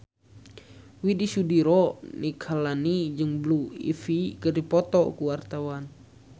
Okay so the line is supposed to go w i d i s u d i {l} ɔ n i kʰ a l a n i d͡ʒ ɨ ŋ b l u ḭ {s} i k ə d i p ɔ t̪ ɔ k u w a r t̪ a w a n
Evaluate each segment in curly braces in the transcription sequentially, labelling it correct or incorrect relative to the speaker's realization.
incorrect: ɾ, incorrect: f

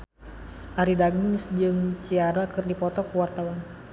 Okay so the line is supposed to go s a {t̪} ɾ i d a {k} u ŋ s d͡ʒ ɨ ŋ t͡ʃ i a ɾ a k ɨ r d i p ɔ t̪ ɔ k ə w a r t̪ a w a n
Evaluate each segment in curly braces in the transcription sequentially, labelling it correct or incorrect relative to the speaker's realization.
incorrect: none, incorrect: ɡ

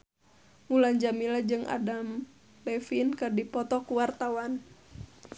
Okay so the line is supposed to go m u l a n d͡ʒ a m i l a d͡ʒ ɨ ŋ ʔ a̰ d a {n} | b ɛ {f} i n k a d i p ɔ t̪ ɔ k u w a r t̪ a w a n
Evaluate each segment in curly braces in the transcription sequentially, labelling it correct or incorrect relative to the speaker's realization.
incorrect: m, correct

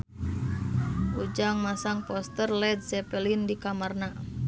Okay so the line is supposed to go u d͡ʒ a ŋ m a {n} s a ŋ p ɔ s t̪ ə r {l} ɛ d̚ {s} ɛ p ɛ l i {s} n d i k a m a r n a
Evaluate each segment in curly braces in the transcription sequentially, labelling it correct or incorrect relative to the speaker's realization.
incorrect: none, correct, correct, incorrect: none

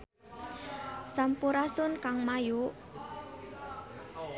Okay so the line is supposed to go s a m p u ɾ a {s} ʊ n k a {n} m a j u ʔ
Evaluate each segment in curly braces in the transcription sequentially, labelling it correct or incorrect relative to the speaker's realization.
correct, incorrect: ŋ

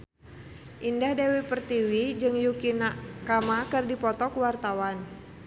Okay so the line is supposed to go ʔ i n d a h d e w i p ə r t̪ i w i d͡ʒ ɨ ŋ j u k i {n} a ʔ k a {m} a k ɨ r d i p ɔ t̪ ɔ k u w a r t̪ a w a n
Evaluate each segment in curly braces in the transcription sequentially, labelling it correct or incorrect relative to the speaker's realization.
correct, correct

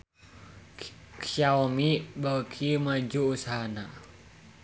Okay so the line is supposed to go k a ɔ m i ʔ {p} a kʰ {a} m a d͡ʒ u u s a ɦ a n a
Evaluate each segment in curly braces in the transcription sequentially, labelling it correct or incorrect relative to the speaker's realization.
incorrect: b, incorrect: i

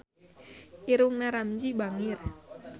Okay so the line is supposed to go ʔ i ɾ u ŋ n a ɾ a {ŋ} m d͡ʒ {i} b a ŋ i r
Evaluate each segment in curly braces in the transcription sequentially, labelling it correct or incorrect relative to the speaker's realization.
incorrect: none, correct

